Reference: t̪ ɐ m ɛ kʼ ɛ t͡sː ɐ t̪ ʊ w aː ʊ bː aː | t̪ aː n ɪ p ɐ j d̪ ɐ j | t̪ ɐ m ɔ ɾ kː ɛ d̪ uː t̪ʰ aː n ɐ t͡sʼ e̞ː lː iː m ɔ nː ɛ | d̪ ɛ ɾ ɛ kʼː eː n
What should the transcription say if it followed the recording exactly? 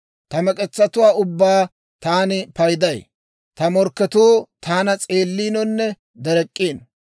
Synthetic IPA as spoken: t̪ ɐ m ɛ kʼ ɛ t͡sː ɐ t̪ ʊ w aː ʊ bː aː | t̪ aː n ɪ p ɐ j d̪ ɐ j | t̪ ɐ m ɔ ɾ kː ɛ t̪ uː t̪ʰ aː n ɐ t͡sʼ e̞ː lː iː n ɔ nː ɛ | d̪ ɛ ɾ ɛ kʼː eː n